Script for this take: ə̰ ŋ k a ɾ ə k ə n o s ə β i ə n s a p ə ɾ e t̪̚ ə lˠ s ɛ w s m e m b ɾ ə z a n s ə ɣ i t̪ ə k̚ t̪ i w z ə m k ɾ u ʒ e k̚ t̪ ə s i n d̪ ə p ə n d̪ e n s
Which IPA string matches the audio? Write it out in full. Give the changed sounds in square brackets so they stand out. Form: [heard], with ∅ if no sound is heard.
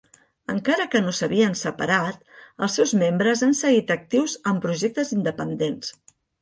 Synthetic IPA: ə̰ ŋ k a ɾ ə k ə n o s ə β i ə n s [ə] p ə ɾ [a] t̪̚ ə lˠ s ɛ w [z] m e m b ɾ ə z a n s ə ɣ i t̪ ə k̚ t̪ i w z ə m [p] ɾ u ʒ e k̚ t̪ ə [z] i n d̪ ə p ə n d̪ e n s